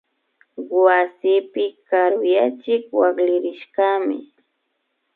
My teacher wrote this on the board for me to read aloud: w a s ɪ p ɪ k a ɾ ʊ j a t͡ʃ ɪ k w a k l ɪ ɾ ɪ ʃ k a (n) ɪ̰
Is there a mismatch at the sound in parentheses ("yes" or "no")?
yes